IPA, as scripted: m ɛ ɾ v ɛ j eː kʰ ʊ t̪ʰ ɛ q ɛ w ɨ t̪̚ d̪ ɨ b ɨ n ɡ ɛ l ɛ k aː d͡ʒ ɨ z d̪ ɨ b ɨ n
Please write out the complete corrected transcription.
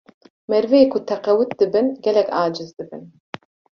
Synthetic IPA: m ɛ ɾ v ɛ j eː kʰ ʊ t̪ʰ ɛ q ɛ w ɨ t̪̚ d̪ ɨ b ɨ n ɡ ɛ l ɛ k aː d͡ʒ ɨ z d̪ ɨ b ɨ n